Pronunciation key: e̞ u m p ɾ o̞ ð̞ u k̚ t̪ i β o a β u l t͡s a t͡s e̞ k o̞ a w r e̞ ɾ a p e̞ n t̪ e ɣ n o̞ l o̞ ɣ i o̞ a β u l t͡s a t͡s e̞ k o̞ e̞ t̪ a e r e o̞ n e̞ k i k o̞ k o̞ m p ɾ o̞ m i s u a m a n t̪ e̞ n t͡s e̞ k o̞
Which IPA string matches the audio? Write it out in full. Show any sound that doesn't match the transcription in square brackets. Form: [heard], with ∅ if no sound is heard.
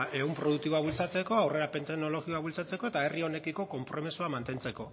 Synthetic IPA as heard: e̞ u m p ɾ o̞ ð̞ u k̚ t̪ i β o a β u l t͡s a t͡s e̞ k o̞ a w r e̞ ɾ a p e̞ n t̪ e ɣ n o̞ l o̞ ɣ i o̞ a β u l t͡s a t͡s e̞ k o̞ e̞ t̪ a e r [i] o̞ n e̞ k i k o̞ k o̞ m p ɾ o̞ m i s u a m a n t̪ e̞ n t͡s e̞ k o̞